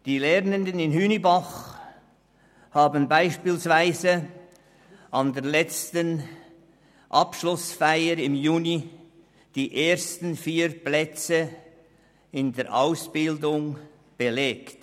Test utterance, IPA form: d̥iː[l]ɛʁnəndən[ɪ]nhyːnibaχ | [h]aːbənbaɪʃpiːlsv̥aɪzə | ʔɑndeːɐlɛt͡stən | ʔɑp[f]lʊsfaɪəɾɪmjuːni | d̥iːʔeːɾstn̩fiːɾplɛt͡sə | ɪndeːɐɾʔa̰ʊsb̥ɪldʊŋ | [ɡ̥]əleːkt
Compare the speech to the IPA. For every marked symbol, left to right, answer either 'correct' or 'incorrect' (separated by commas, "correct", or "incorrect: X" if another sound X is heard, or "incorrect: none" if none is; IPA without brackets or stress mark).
correct, correct, correct, incorrect: ʃ, incorrect: b̥